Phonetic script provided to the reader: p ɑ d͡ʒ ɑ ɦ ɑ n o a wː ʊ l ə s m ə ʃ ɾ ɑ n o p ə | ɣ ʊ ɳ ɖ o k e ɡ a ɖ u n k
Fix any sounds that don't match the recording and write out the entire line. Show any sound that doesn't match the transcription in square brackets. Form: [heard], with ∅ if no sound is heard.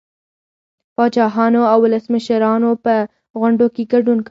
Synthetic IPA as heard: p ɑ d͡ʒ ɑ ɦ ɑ n o a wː ʊ l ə s m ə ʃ ɾ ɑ n o p ə | ɣ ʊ ɳ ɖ o k e ɡ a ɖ u n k